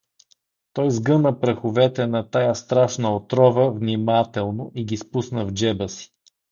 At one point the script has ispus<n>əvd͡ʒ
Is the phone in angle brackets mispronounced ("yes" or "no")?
no